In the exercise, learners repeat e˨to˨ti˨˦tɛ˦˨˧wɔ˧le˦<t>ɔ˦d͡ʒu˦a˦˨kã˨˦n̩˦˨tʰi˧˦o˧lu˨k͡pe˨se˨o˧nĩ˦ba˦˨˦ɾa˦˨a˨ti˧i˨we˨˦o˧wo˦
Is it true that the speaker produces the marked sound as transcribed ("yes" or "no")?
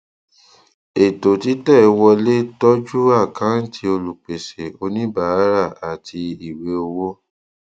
yes